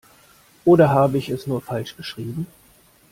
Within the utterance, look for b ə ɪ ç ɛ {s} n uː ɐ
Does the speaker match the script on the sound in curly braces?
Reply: yes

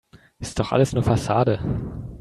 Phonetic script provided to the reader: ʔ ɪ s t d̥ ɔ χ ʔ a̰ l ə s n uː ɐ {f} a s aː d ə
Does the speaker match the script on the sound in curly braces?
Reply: yes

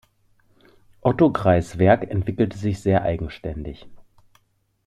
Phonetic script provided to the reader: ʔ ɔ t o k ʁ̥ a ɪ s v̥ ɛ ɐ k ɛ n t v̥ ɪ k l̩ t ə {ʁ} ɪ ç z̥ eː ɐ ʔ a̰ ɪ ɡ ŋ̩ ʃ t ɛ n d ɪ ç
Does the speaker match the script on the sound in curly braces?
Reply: no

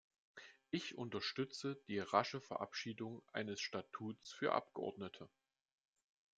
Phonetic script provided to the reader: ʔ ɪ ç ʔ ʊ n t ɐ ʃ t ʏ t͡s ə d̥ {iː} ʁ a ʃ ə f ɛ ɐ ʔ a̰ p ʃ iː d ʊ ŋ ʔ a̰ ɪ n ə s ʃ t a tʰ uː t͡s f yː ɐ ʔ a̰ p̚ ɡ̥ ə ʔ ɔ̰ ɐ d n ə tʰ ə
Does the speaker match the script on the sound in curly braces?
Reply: yes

